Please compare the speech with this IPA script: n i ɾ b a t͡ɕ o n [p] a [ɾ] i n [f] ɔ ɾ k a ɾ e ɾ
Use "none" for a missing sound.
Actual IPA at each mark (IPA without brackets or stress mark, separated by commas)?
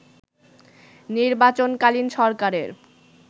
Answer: k, l, ʃ